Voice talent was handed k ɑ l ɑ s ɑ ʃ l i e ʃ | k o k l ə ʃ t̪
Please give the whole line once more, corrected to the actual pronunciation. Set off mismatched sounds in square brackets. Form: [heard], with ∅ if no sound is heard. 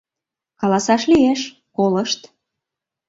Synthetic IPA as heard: k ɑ l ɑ s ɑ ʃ l i e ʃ | k o [∅] l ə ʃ t̪